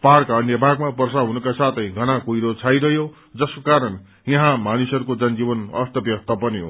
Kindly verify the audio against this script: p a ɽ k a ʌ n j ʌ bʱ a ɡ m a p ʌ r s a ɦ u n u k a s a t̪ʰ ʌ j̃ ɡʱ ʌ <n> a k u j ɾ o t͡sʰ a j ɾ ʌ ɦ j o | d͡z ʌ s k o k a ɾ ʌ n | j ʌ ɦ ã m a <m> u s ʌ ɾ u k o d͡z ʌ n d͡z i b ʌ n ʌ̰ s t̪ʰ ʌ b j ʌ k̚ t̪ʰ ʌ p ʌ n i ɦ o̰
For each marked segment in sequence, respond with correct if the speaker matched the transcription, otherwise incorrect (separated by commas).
correct, incorrect